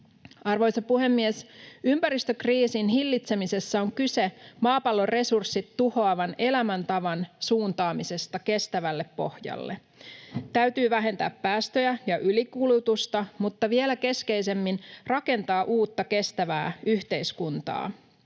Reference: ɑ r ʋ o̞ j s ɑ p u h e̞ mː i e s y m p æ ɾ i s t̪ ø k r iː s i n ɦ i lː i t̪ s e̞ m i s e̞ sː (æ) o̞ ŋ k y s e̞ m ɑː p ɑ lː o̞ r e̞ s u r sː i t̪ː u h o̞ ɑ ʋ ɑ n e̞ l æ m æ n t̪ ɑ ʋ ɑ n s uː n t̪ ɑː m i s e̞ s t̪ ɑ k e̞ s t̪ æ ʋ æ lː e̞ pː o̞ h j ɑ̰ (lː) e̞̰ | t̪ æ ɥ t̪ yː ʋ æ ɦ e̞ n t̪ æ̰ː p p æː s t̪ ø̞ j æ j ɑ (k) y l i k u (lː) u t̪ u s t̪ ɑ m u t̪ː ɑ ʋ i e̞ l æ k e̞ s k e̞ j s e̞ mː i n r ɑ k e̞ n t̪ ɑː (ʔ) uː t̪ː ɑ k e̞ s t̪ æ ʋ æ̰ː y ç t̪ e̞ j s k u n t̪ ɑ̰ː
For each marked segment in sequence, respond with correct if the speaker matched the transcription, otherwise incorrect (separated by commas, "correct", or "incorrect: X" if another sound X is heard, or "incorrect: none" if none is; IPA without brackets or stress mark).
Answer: correct, correct, incorrect: ʔ, incorrect: l, correct